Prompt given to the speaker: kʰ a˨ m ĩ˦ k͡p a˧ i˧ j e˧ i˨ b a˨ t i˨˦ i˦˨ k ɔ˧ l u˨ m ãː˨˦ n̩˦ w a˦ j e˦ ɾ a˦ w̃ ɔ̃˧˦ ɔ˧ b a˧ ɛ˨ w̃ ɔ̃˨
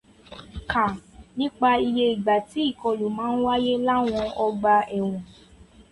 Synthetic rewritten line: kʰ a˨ n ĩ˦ k͡p a˧ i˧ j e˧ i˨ ɡ͡b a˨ t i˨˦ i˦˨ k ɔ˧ l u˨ m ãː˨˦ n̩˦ w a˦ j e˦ l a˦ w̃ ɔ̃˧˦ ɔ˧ ɡ͡b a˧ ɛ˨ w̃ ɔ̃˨